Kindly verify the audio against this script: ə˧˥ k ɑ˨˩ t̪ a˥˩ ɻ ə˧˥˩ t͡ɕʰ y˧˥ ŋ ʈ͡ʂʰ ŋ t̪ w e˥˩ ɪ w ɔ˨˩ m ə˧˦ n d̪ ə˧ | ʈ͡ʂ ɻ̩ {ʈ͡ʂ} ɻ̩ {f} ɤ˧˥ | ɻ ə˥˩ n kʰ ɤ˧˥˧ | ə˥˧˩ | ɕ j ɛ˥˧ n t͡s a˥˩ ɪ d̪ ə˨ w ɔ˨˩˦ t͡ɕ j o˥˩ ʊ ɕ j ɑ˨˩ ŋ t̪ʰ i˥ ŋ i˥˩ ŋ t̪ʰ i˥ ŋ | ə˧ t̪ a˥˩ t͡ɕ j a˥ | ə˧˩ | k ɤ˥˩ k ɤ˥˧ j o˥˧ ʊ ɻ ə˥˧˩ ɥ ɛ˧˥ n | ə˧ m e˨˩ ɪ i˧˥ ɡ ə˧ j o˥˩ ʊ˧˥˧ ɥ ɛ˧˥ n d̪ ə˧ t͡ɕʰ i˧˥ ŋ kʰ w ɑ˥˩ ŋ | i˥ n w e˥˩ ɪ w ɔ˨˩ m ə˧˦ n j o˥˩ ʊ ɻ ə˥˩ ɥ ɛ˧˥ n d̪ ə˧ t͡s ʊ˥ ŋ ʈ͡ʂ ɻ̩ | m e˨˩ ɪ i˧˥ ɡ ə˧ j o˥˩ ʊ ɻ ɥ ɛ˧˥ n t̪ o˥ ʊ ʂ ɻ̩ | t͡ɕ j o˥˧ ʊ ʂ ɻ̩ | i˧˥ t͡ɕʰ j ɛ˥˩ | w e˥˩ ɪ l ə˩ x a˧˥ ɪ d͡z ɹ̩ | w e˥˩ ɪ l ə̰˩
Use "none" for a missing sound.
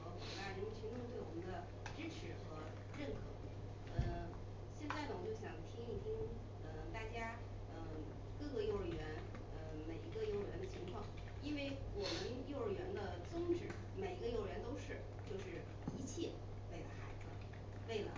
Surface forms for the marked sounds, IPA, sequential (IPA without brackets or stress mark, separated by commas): ʈ͡ʂʰ, x